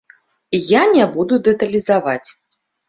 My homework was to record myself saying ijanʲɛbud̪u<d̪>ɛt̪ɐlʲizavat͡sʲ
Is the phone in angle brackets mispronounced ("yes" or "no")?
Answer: no